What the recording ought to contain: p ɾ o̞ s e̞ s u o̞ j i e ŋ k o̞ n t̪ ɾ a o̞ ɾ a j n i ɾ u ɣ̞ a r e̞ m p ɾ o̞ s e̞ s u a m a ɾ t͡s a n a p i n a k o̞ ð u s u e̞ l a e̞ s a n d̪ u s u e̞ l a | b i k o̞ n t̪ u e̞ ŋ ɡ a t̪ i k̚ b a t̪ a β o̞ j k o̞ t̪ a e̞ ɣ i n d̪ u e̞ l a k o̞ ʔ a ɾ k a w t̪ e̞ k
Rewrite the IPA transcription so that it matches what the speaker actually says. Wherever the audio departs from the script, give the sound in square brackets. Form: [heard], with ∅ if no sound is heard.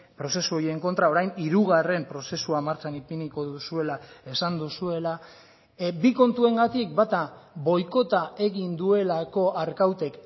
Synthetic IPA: p ɾ o̞ s e̞ s u o̞ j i e ŋ k o̞ n t̪ ɾ a o̞ ɾ a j n i ɾ u ɣ̞ a r e̞ m p ɾ o̞ s e̞ s u a m a ɾ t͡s a n [i] p i n [i] k o̞ ð u s u e̞ l a e̞ s a n d̪ u s u e̞ l a | b i k o̞ n t̪ u e̞ ŋ ɡ a t̪ i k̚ b a t̪ a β o̞ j k o̞ t̪ a e̞ ɣ i n d̪ u e̞ l a k o̞ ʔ a ɾ k a w t̪ e̞ k